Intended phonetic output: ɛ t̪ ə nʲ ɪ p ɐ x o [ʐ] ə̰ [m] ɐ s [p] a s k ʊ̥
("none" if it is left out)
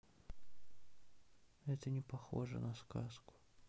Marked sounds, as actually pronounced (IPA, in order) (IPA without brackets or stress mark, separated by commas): ʐ, n, k